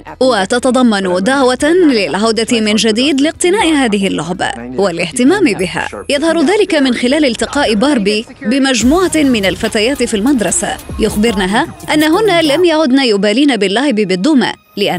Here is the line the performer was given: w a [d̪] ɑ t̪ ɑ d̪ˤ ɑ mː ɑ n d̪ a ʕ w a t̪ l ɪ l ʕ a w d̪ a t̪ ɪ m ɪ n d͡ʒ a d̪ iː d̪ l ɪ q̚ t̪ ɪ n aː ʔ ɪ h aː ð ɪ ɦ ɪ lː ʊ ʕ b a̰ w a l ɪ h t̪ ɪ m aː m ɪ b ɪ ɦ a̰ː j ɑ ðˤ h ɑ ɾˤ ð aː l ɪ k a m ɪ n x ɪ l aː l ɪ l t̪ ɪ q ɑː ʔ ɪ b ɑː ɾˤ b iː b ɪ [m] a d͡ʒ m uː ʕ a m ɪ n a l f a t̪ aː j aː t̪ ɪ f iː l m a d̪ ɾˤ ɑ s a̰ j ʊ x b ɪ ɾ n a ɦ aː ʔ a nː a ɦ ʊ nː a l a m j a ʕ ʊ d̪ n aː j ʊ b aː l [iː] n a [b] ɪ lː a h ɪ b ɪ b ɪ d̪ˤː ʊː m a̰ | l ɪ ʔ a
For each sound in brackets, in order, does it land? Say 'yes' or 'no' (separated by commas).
no, yes, yes, yes